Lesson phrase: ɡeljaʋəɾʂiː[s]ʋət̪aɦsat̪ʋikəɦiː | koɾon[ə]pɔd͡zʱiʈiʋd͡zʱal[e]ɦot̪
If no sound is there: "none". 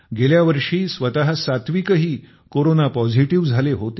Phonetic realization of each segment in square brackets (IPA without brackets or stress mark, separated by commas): s, a, e